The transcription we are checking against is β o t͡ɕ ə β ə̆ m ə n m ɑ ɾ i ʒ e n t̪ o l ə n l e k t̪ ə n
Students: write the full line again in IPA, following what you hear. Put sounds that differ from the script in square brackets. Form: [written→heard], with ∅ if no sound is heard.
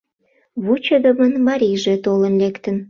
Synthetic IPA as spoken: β [o→u] t͡ɕ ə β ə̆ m ə n m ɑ ɾ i ʒ e [n→∅] t̪ o l ə n l e k t̪ ə n